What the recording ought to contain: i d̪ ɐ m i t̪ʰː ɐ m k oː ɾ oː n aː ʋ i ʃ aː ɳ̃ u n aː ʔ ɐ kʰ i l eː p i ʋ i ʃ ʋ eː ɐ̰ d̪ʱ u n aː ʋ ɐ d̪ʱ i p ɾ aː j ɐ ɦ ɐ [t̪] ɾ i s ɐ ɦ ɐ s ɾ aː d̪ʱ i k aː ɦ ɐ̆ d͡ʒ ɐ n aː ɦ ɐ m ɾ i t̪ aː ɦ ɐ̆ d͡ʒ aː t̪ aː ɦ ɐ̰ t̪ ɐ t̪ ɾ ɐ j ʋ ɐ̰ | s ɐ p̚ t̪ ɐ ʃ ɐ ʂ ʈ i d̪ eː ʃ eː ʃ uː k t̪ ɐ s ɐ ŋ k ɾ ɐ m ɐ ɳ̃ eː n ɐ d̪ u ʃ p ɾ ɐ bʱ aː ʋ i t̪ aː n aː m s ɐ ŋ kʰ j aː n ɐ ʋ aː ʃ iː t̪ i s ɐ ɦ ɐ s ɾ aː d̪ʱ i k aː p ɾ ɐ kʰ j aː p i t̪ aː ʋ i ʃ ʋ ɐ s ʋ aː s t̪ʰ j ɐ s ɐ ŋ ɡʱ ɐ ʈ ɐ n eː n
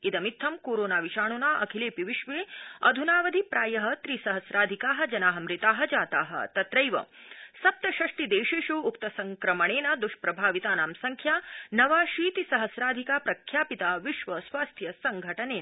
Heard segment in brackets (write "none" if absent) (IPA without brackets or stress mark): t̪